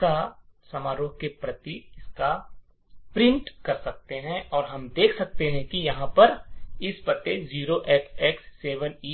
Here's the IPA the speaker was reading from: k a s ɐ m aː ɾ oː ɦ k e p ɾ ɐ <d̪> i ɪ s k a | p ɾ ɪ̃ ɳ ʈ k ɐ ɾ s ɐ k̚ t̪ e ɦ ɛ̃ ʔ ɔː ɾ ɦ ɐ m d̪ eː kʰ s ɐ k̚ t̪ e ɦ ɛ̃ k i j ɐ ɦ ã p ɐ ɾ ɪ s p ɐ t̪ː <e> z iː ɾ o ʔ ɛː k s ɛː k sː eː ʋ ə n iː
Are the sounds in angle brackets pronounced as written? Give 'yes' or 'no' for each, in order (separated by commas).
no, yes